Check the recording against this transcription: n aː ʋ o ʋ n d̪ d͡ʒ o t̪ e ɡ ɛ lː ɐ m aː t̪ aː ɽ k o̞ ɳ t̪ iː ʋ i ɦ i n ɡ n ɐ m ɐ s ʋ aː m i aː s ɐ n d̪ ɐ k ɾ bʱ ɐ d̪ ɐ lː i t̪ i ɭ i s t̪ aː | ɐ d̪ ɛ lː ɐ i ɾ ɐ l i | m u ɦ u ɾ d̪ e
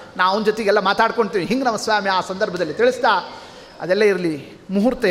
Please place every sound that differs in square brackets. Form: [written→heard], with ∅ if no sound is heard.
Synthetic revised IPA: n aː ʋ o [ʋ→∅] n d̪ d͡ʒ o t̪ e ɡ ɛ lː ɐ m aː t̪ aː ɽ k o̞ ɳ t̪ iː ʋ i ɦ i [n→ŋ] ɡ n ɐ m ɐ s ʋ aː m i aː s ɐ n d̪ ɐ [k→∅] ɾ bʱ ɐ d̪ ɐ lː i t̪ i ɭ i s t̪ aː | ɐ d̪ ɛ lː ɐ i ɾ ɐ l i | m u ɦ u ɾ [d̪→t̪] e